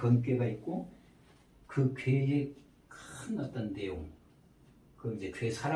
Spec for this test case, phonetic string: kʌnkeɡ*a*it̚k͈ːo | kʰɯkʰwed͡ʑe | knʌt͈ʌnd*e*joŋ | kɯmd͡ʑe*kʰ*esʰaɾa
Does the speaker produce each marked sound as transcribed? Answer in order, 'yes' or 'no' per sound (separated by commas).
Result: yes, yes, yes